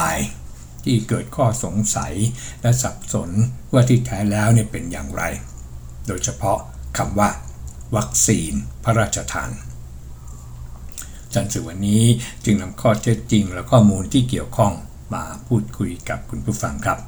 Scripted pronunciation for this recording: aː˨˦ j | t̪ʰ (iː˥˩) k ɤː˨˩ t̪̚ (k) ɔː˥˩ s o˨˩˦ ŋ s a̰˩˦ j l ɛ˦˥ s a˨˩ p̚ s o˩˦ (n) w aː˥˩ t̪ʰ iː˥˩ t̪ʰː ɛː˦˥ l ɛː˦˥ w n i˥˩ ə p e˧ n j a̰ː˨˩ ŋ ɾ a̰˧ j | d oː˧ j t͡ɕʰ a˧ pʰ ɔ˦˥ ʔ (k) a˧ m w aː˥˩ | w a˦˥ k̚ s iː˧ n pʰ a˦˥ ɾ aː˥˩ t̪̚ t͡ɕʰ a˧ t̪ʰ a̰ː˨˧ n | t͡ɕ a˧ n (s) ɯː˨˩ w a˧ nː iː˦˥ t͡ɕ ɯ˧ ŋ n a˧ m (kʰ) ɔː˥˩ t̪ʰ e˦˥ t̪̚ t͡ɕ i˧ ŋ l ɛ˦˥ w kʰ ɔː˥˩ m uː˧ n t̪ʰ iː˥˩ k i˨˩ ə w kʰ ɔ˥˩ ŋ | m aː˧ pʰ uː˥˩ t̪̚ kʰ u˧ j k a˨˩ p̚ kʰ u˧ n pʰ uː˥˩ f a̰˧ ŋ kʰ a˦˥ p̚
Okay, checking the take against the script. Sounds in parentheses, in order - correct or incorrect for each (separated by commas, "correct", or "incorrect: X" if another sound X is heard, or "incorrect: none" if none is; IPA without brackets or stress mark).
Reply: correct, incorrect: kʰ, correct, incorrect: kʰ, correct, correct